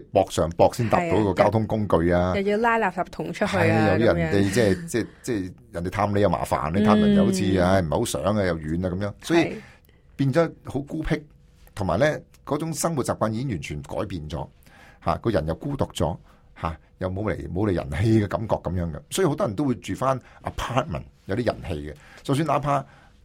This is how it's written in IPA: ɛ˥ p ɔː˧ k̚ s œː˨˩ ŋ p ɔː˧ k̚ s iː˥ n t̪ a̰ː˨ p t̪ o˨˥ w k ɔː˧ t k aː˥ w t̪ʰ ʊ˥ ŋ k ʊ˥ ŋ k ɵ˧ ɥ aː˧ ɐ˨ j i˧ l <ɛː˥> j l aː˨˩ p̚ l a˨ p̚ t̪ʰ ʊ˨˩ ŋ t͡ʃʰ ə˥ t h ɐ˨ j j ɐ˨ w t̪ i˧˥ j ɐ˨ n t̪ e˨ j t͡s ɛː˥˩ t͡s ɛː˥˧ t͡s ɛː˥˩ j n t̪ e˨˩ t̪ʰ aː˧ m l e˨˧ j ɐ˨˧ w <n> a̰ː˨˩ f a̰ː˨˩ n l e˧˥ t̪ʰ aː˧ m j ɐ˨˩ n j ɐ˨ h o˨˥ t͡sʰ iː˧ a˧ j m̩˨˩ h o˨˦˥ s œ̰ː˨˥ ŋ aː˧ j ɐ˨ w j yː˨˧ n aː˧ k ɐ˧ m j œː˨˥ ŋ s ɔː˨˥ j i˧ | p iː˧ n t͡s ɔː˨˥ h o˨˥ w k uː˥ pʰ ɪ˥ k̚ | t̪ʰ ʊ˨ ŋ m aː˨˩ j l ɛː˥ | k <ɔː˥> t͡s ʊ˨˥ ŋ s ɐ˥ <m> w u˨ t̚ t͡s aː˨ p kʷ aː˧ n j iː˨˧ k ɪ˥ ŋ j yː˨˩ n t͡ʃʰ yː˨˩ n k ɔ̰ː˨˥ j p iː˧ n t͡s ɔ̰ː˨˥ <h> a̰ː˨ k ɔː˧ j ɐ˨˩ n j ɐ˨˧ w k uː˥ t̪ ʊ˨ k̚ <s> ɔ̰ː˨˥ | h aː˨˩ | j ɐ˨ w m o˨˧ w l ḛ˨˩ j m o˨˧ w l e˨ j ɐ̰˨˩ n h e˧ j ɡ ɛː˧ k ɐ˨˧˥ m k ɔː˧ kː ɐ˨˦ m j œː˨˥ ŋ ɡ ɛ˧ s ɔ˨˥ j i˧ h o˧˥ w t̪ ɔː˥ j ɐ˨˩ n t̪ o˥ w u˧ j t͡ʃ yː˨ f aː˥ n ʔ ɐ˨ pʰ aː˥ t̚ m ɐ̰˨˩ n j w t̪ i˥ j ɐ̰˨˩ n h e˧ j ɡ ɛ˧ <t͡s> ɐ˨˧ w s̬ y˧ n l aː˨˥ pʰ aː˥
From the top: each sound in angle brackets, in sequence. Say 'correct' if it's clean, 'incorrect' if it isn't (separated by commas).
incorrect, incorrect, incorrect, incorrect, correct, incorrect, correct